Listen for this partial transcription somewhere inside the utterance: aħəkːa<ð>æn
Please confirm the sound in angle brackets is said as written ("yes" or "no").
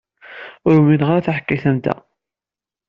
no